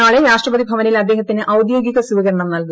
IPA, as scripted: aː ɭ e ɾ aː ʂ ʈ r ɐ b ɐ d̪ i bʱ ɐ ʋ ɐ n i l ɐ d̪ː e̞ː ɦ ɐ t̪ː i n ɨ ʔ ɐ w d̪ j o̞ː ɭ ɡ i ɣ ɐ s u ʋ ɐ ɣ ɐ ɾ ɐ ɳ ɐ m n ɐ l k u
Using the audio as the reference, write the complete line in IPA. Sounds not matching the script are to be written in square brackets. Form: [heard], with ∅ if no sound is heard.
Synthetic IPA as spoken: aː ɭ e ɾ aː ʂ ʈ r ɐ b ɐ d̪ i bʱ ɐ ʋ ɐ n i l ɐ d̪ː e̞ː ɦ ɐ t̪ː i n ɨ ʔ ɐ w d̪ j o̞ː [∅] ɡ i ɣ ɐ s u ʋ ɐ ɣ ɐ ɾ ɐ ɳ ɐ m n ɐ l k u

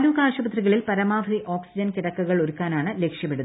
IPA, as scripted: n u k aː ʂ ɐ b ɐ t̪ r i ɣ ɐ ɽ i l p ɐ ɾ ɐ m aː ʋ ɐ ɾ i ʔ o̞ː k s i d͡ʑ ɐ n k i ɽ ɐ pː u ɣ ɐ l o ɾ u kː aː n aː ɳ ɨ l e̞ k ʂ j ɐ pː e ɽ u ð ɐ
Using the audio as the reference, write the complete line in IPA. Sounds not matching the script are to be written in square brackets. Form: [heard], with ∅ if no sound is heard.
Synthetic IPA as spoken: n u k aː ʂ ɐ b ɐ t̪ r i ɣ ɐ [ɭ] i l p ɐ ɾ ɐ m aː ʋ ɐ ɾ i ʔ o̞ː k s i d͡ʑ ɐ n k i ɽ ɐ [kː] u ɣ ɐ [ɭ] o ɾ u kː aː n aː ɳ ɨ l e̞ k ʂ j ɐ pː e ɽ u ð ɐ

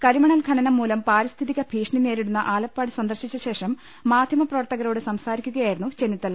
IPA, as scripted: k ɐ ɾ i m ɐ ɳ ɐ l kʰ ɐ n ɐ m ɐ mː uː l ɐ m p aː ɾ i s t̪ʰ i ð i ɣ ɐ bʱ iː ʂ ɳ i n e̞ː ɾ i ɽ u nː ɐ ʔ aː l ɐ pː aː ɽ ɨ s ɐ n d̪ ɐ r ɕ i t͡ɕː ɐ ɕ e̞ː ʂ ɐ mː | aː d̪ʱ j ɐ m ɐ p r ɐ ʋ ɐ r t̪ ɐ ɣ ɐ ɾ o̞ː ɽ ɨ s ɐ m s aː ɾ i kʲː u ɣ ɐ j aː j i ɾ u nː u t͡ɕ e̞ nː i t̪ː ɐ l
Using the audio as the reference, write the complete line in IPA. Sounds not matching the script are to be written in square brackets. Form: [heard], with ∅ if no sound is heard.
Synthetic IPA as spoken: k ɐ ɾ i m ɐ ɳ ɐ l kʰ ɐ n ɐ [n] ɐ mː uː l ɐ m p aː ɾ i s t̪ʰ i ð i ɣ ɐ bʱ iː ʂ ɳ i n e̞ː ɾ i ɽ u nː ɐ ʔ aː l ɐ pː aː ɽ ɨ s ɐ n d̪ ɐ r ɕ i t͡ɕː ɐ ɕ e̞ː ʂ ɐ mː | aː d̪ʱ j ɐ m ɐ p r ɐ ʋ ɐ r t̪ ɐ ɣ ɐ ɾ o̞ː ɽ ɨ s ɐ m s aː ɾ i kʲː u ɣ ɐ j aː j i ɾ u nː u t͡ɕ e̞ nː i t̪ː ɐ l

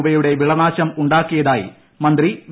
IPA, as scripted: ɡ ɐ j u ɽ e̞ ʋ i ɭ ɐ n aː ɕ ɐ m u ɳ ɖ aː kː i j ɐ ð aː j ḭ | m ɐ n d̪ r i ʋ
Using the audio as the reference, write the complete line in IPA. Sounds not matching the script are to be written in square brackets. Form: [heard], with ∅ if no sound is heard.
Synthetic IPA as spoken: [b] ɐ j u ɽ e̞ ʋ i ɭ ɐ n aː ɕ ɐ m u ɳ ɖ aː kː i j ɐ ð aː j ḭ | m ɐ n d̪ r i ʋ

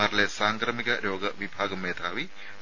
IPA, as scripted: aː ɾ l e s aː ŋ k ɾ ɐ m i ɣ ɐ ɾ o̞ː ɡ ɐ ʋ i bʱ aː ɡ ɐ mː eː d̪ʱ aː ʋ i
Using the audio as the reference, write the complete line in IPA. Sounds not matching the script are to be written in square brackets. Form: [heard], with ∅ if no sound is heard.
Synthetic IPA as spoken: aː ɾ l e s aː ŋ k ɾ ɐ m i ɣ ɐ ɾ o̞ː ɡ ɐ ʋ i bʱ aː ɡ ɐ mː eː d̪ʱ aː ʋ i

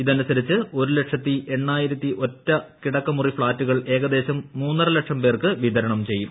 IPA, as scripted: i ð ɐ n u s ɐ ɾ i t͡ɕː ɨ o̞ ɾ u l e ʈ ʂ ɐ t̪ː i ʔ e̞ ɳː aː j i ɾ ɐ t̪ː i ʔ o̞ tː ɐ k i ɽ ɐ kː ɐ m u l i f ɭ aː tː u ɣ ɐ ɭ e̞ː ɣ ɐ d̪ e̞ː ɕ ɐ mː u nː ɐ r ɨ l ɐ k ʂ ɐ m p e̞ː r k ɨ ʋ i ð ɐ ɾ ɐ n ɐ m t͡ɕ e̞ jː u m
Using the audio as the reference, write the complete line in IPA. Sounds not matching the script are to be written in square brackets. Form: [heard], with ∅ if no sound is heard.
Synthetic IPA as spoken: i ð ɐ n u s ɐ ɾ i t͡ɕː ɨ o̞ ɾ u l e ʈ ʂ ɐ t̪ː i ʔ e̞ ɳː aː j i ɾ ɐ t̪ː i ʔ o̞ tː ɐ k i ɽ ɐ kː ɐ m u [r] i f ɭ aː tː u ɣ ɐ ɭ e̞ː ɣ ɐ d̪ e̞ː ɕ ɐ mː [uː] nː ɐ r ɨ l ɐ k ʂ ɐ m p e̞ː r k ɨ ʋ i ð ɐ ɾ ɐ [ɳ] ɐ m t͡ɕ e̞ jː u m

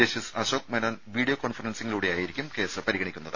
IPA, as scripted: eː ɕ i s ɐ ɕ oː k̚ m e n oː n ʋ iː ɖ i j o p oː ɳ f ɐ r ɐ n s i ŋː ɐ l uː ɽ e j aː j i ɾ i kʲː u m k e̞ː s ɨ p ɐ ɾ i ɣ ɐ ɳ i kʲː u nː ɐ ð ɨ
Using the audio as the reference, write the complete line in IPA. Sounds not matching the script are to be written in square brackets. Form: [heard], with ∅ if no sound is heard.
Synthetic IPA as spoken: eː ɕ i s ɐ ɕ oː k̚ m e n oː n ʋ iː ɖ i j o [k] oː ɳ f ɐ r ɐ n s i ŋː ɐ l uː ɽ e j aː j i ɾ i kʲː u m k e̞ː s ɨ p ɐ ɾ i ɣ ɐ ɳ i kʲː u nː ɐ ð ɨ

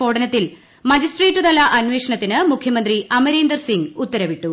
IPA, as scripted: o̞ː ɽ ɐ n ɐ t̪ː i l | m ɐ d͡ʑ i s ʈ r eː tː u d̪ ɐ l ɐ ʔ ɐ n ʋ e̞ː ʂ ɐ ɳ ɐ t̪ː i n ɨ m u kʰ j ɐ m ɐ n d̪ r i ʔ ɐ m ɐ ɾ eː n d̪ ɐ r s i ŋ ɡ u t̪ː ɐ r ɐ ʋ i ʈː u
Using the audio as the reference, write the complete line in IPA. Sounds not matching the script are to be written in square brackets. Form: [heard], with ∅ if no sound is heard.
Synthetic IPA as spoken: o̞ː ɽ ɐ n ɐ t̪ː i l | m ɐ d͡ʑ i s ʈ r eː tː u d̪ ɐ l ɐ ʔ ɐ n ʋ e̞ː ʂ ɐ ɳ ɐ t̪ː i n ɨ m u kʰ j ɐ m ɐ n d̪ r i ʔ ɐ m ɐ ɾ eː n d̪ ɐ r s i ŋ ɡ u t̪ː ɐ [ɾ] ɐ ʋ i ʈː u

